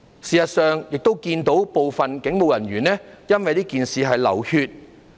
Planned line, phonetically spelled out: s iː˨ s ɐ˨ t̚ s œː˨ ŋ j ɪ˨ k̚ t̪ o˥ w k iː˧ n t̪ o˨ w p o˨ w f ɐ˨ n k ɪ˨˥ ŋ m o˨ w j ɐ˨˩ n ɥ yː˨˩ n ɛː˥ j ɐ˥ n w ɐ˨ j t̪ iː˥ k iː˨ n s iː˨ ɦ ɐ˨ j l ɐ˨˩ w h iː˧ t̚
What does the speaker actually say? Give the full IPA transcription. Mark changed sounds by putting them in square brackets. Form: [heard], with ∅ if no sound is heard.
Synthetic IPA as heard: s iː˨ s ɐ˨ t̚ s œː˨ ŋ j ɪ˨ k̚ t̪ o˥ w k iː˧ n t̪ [o˨˥] w p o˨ w f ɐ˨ n k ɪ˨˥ ŋ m o˨ w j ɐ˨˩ n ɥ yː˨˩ n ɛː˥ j ɐ˥ n w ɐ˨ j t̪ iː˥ k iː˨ n s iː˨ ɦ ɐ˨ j l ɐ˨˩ w h [yː˧] t̚